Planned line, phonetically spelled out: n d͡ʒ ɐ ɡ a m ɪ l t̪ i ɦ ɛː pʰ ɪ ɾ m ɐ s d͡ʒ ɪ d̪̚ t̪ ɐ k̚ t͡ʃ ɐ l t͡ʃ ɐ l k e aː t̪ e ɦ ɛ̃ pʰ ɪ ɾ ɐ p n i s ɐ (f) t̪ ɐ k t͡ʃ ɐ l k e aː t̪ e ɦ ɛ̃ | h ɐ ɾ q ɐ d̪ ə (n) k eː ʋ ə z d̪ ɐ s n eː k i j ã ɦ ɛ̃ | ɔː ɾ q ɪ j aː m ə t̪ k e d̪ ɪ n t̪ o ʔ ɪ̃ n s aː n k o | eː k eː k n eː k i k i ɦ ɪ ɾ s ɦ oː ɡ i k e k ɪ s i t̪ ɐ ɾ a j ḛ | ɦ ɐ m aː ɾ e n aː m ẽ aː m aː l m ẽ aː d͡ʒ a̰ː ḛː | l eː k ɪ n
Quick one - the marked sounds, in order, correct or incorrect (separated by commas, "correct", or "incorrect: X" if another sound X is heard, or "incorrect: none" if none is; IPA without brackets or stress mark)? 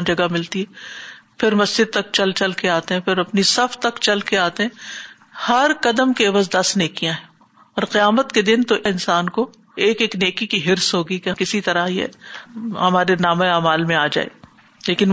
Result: correct, incorrect: m